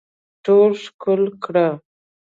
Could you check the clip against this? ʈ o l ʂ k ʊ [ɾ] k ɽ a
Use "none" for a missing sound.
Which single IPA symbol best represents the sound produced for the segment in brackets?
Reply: l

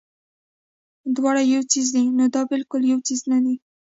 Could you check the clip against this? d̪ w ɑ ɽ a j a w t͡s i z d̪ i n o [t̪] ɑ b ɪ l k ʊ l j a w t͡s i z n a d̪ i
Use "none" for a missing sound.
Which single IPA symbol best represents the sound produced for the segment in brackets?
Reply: d̪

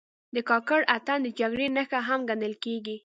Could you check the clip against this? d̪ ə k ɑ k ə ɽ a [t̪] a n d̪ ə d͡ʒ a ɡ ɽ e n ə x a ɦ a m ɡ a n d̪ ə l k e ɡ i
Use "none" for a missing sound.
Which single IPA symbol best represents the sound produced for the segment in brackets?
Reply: t̪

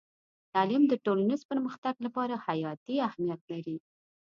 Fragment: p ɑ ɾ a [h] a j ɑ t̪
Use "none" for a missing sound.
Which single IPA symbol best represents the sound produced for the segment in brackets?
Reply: h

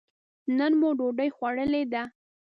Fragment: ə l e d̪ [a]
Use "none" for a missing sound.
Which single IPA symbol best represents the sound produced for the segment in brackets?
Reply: a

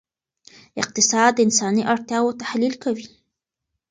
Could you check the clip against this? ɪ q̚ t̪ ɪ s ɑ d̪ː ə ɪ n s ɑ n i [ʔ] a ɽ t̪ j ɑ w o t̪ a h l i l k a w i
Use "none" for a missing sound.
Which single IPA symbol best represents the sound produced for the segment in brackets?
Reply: ʔ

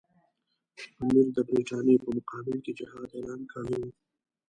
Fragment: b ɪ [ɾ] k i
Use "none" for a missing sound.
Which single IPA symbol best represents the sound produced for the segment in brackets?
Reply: l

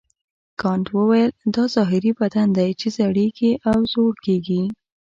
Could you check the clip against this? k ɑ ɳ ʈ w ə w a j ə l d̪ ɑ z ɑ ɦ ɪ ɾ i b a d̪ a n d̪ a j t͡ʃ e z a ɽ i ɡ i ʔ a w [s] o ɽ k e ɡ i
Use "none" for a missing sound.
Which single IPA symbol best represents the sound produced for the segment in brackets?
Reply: z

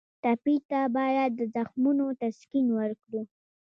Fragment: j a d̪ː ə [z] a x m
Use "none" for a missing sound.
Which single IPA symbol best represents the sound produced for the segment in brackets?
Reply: z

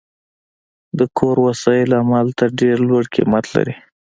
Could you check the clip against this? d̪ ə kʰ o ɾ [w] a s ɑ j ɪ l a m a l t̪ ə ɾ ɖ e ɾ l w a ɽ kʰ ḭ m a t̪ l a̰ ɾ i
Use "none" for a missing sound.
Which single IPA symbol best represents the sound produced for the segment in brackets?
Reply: w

